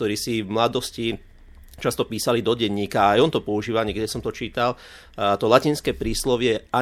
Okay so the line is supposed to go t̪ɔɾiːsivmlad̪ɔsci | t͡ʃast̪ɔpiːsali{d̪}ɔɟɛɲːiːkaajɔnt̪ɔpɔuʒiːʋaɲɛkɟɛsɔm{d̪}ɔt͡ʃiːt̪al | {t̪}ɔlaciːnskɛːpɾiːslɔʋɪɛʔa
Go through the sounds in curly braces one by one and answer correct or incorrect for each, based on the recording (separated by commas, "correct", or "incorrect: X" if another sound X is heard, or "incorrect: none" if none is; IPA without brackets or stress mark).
correct, incorrect: t̪, correct